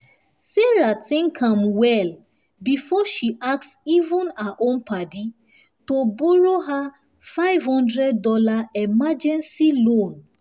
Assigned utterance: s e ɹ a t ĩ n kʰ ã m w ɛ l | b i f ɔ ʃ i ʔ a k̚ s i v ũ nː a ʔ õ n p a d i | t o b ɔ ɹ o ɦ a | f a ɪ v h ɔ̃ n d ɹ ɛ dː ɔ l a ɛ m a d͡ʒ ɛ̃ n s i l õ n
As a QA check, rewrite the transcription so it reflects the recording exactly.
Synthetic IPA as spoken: s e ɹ a t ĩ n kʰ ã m w ɛ l | b i f ɔ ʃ i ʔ a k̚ s i v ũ n a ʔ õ n p a d i | t o b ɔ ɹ o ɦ a | f a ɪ v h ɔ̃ n d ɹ ɛ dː ɔ l a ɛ m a d͡ʒ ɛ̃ n s i l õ n